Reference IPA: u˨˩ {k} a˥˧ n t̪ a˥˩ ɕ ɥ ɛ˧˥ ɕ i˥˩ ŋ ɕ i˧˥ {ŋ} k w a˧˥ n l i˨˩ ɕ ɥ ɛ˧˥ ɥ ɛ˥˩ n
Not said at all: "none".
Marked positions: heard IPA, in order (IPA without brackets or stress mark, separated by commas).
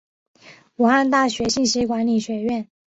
x, none